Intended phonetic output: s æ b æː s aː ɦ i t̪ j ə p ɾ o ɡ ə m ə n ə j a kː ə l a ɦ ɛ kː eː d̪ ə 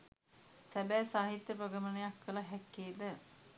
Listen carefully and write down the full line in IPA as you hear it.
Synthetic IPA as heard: s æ b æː s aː ɦ i t̪ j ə p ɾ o ɡ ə m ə n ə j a kː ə l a ɦ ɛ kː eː d̪ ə